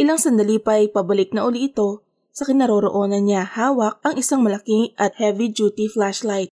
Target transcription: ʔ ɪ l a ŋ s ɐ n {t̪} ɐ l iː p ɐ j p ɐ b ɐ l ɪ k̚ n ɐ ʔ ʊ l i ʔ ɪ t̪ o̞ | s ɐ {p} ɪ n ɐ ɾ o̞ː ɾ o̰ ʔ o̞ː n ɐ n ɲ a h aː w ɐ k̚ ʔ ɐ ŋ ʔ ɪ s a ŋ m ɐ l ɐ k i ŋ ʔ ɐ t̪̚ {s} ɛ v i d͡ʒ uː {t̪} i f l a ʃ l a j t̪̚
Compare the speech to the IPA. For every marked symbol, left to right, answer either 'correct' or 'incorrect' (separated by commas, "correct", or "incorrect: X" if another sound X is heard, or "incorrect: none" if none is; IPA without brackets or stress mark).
incorrect: d̪, incorrect: k, incorrect: h, correct